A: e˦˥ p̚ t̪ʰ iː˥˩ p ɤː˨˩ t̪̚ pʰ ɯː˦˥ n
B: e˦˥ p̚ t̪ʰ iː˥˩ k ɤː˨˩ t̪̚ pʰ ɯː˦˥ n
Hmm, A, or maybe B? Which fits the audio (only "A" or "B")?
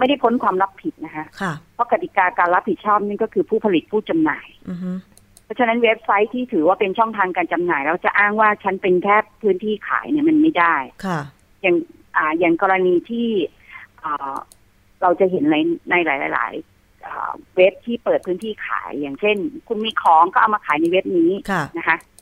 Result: A